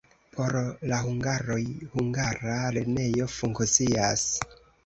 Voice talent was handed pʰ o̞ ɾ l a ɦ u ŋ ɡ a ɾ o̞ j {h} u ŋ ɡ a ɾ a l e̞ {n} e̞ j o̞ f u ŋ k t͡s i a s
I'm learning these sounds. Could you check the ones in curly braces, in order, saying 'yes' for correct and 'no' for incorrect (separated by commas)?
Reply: yes, yes